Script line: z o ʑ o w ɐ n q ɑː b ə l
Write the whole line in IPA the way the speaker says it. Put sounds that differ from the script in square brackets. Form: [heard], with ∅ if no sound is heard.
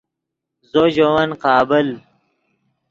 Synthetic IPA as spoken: z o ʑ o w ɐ n q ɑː b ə l

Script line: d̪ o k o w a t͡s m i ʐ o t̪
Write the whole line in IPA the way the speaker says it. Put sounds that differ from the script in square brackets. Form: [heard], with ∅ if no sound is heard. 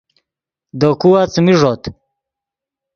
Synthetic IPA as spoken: d̪ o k [u] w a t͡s m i ʐ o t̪

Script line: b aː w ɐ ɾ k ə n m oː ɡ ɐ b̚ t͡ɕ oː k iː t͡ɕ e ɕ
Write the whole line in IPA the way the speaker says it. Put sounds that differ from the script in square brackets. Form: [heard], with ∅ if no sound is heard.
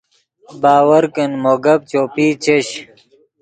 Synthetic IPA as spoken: b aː w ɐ ɾ k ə n m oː ɡ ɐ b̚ t͡ɕ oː [p] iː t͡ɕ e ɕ

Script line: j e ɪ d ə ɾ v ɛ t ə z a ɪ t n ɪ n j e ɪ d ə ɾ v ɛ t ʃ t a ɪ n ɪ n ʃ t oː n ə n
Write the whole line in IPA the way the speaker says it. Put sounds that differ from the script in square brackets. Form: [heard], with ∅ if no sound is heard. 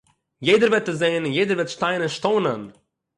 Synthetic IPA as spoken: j e ɪ d ə ɾ v ɛ t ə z [e] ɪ [∅] n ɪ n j e ɪ d ə ɾ v ɛ t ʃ t a ɪ n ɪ n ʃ t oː n ə n

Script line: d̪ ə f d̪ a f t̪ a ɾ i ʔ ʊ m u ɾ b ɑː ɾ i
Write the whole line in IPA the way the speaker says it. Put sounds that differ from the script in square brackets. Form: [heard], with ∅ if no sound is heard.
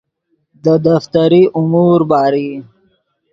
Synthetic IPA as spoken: d̪ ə [∅] d̪ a f t̪ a ɾ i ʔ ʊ m u ɾ b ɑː ɾ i

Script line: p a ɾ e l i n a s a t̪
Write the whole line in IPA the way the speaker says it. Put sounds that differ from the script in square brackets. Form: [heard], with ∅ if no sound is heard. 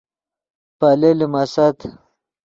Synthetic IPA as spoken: p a [l] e l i [m] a s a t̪

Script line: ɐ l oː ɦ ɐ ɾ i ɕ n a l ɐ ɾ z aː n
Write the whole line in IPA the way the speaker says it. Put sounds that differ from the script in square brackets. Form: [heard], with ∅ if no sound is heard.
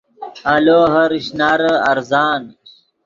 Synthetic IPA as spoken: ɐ l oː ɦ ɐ ɾ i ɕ n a [ɾ] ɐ ɾ z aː n

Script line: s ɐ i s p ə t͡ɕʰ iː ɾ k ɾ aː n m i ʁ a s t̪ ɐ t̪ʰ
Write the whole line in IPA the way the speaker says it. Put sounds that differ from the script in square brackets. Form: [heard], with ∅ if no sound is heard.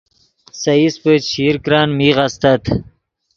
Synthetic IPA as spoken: s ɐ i s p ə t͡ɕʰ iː ɾ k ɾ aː n m i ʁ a s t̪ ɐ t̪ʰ

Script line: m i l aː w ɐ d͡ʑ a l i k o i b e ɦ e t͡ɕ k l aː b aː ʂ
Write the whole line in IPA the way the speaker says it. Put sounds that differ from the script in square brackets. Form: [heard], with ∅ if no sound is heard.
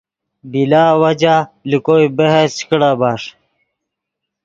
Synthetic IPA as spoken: [b] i l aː w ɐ d͡ʑ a l i k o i b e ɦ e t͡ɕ k [ɽ] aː b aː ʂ

